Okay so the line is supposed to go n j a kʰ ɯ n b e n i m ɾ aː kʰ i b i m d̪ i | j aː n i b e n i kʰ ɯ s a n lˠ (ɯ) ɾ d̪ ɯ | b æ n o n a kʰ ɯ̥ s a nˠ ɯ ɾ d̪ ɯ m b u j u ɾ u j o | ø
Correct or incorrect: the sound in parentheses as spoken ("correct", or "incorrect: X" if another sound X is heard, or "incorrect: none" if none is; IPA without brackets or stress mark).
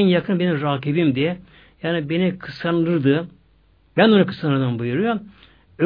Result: correct